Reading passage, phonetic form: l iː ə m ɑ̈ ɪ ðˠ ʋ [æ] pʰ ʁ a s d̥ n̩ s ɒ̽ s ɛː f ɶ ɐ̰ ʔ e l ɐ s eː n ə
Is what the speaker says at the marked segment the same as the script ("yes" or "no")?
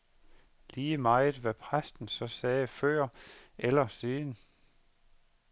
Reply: yes